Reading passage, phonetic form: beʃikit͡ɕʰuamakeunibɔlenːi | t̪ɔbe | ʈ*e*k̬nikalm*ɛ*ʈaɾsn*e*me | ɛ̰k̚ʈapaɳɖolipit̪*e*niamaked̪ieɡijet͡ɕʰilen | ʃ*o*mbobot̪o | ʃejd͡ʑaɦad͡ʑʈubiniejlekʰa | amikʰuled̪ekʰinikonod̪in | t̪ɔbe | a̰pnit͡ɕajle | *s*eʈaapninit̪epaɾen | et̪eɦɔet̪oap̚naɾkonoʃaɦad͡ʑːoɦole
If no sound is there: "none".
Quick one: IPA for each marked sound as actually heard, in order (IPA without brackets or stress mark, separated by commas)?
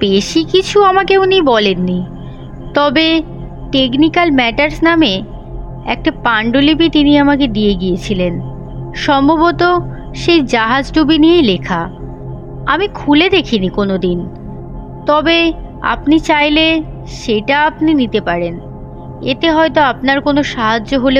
e, ɛ, a, i, ɔ, ʃ